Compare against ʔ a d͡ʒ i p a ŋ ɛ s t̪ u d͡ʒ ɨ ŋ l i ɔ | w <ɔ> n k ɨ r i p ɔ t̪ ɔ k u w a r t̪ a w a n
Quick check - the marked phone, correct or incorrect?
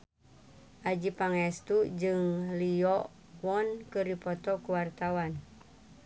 correct